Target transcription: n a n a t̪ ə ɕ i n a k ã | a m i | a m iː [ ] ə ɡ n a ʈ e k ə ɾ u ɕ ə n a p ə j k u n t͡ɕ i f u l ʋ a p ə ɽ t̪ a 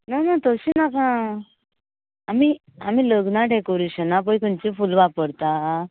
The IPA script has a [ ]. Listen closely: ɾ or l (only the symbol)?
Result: l